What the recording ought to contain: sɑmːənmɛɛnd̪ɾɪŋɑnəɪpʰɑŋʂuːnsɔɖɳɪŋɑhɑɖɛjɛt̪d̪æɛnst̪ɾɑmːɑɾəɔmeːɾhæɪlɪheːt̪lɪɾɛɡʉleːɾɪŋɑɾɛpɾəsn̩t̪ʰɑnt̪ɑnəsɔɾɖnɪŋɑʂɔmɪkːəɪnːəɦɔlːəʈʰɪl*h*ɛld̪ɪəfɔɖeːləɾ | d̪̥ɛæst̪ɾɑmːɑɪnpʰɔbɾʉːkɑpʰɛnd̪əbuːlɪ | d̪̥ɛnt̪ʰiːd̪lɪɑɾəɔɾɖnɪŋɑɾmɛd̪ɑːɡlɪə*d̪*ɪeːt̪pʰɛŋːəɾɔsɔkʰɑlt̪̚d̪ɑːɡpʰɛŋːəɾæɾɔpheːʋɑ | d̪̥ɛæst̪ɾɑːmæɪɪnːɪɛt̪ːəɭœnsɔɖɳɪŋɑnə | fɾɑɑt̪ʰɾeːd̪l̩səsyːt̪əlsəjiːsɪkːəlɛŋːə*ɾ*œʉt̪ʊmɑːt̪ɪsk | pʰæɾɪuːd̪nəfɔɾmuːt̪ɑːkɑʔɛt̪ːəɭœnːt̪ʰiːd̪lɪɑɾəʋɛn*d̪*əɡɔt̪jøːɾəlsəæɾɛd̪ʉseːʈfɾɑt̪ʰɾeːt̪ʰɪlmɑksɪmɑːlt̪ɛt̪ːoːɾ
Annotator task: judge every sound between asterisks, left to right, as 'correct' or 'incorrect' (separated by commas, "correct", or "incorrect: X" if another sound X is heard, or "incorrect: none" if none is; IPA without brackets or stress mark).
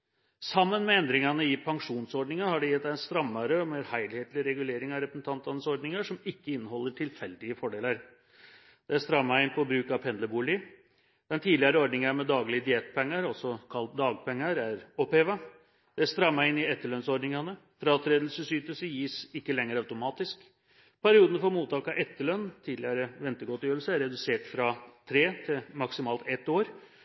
incorrect: f, correct, correct, incorrect: t̪